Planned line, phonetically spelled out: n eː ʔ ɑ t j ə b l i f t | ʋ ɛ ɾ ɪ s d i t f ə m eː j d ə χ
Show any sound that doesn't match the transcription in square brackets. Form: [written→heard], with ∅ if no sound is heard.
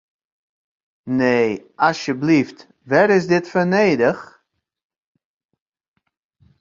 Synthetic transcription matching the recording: n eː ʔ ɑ [t→s] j ə b l i f t | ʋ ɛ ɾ ɪ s d [i→ɪ] t f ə [m→n] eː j d ə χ